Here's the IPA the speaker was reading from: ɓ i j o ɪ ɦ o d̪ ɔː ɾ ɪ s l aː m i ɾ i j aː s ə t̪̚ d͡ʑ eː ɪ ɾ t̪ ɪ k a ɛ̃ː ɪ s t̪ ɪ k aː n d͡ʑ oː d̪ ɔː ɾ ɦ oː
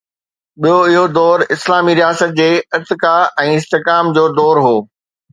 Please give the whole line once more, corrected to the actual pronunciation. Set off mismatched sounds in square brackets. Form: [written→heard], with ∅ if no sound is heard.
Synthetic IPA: ɓ i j o ɪ ɦ o d̪ ɔː ɾ ɪ s l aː m i ɾ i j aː s ə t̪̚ d͡ʑ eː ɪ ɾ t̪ ɪ k a ɛ̃ː ɪ s t̪ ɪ k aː [n→m] d͡ʑ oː d̪ ɔː ɾ ɦ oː